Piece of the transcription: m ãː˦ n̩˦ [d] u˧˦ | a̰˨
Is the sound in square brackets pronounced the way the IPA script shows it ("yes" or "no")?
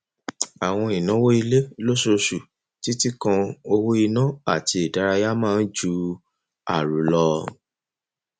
no